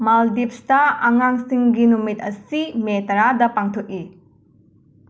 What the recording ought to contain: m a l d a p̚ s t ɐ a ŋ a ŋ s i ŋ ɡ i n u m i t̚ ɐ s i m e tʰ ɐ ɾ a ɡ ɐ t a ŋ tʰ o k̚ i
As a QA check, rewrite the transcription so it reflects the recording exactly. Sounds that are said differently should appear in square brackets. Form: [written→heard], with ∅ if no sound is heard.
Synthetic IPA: m a l d [a→i] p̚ s t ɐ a ŋ a ŋ s i ŋ ɡ i n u m i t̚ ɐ s i m e [tʰ→t] ɐ ɾ a [ɡ→d] ɐ [t→p] a ŋ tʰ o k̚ i